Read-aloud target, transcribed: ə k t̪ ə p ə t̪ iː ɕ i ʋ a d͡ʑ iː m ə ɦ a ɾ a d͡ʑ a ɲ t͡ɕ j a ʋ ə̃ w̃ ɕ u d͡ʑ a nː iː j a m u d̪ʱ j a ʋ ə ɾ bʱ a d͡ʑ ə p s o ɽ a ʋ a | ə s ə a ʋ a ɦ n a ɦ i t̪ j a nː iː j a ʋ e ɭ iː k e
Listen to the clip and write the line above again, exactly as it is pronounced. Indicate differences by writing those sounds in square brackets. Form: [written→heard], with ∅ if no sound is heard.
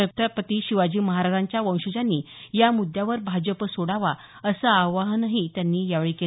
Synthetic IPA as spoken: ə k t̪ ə p ə t̪ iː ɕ i ʋ a d͡ʑ iː m ə ɦ a ɾ a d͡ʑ a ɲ t͡ɕ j a ʋ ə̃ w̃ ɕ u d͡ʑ a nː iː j a m u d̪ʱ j a ʋ ə ɾ bʱ a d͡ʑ ə p s o ɽ a ʋ a | ə s ə a ʋ a ɦ n a ɦ i t̪ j a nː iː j a ʋ e ɭ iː k e